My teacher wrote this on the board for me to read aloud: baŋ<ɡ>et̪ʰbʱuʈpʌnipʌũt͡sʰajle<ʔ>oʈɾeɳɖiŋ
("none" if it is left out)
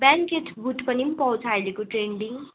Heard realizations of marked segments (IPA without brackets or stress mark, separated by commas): k, k